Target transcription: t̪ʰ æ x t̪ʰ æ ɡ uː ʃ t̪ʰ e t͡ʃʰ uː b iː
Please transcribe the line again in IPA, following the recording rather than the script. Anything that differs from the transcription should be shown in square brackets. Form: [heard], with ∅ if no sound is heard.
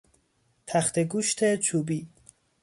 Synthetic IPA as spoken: t̪ʰ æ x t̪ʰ [e] ɡ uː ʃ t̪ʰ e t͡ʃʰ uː b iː